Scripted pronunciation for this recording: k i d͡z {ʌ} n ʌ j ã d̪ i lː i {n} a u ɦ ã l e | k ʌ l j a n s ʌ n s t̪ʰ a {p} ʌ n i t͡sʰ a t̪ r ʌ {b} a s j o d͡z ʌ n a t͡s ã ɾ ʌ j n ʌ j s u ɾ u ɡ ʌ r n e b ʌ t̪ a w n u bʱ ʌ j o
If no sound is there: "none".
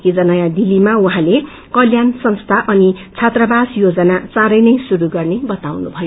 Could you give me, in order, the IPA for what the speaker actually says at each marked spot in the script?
ʌ, m, ʔ, b

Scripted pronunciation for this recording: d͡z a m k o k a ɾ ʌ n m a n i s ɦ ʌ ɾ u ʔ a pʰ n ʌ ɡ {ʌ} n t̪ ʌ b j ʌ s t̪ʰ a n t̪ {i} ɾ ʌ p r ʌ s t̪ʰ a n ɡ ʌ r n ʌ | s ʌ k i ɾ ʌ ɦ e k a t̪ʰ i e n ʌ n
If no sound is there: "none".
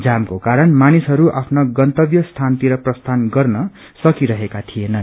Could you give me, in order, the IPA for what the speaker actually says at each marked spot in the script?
ʌ, i

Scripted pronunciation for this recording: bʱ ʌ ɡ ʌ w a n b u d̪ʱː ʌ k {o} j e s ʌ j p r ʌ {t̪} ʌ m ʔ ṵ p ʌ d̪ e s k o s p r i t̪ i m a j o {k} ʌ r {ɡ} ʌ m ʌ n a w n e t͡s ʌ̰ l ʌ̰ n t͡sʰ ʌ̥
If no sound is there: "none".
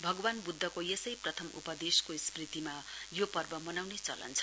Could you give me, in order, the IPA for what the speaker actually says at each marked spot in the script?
o, t̪ʰ, p, b

